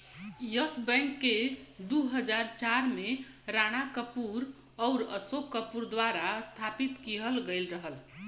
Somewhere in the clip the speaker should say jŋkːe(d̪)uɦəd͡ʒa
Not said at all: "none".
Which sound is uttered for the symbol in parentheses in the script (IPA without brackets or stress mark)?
d̪